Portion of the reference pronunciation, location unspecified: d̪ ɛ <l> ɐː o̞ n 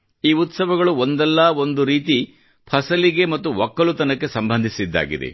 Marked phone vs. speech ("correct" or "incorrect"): incorrect